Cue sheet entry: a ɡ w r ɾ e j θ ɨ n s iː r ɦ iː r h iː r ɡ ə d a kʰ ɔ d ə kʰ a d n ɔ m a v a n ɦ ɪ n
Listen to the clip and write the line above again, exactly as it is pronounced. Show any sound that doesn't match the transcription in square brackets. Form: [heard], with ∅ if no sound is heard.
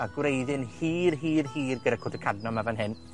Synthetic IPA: a ɡ w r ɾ e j [ð] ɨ n [h] iː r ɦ iː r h iː r ɡ ə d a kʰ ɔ d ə kʰ a d n ɔ m a v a n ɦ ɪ n